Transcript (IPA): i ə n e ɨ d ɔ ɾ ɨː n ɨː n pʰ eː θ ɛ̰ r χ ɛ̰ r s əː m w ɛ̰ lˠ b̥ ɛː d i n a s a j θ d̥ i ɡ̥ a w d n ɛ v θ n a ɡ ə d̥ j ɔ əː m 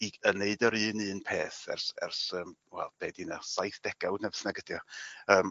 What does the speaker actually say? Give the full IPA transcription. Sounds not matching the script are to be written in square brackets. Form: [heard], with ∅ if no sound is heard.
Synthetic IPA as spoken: i ə n e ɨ d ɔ ɾ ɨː n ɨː n pʰ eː θ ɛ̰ r [s] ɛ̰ r s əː m w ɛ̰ lˠ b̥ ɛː d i n a s a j θ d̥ [ɛ] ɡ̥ a w d n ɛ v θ n a ɡ ə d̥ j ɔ əː m